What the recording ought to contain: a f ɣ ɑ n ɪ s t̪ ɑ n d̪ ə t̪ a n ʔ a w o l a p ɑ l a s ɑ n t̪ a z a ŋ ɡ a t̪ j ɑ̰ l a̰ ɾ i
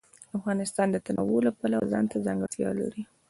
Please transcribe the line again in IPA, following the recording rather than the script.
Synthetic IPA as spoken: a f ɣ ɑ n ɪ s t̪ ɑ n d̪ ə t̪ a n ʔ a w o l a p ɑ l a z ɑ n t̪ a z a ŋ ɡ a t̪ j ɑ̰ l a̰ ɾ i